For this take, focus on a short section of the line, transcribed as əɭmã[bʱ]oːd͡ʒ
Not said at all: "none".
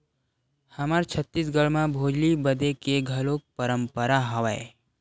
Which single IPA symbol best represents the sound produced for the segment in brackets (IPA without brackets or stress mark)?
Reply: bʱ